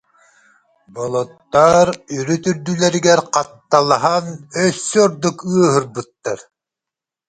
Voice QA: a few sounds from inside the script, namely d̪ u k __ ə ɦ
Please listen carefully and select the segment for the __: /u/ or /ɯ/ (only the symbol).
ɯ